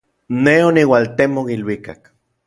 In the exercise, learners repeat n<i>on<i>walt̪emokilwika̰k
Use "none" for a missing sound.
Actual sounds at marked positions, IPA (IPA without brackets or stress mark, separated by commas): e, i